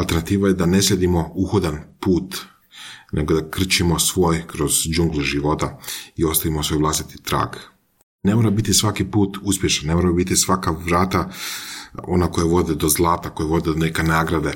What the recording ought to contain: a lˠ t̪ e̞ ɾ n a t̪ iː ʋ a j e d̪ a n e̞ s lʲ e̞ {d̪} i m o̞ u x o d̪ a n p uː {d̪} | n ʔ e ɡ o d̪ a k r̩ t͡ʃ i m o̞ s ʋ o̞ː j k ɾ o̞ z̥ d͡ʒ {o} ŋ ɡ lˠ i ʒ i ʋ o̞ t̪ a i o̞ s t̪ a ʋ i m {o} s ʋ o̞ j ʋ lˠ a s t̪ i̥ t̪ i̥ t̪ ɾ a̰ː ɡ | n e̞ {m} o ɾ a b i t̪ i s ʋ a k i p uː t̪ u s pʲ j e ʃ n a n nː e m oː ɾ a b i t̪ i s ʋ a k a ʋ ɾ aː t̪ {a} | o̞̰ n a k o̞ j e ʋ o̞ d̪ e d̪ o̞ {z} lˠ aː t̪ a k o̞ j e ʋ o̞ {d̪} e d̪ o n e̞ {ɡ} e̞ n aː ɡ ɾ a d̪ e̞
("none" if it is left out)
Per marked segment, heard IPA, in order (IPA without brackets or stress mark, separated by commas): d̪, t̪, u, o, m, a, z, d̪, k